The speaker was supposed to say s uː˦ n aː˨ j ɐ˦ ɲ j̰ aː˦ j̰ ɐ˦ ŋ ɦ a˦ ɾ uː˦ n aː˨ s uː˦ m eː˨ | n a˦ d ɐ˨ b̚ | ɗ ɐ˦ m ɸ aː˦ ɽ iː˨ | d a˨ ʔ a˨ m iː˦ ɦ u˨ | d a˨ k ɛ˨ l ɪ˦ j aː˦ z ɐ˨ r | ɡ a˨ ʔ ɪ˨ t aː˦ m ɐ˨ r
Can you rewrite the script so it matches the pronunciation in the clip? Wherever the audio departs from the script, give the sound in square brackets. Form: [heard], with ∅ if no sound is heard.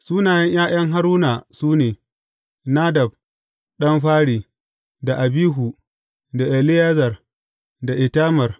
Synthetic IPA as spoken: s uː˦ n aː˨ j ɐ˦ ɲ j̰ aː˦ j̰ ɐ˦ ŋ ɦ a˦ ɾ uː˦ n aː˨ s uː˦ [n] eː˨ | n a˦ d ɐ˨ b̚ | ɗ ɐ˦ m ɸ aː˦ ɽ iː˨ | d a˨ ʔ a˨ [b] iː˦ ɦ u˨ | d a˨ [ʔ] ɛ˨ l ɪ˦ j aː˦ z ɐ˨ r | [d] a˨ ʔ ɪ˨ t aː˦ m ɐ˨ r